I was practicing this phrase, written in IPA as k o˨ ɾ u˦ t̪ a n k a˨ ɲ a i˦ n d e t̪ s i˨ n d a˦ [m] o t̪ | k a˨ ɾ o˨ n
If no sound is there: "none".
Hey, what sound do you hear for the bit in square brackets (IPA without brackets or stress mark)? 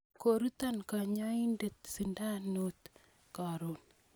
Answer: n